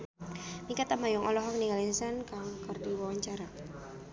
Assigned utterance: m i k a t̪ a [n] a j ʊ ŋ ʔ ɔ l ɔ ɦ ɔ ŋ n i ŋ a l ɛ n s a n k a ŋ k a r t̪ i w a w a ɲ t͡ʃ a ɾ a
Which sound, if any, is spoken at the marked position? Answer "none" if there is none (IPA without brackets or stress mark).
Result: m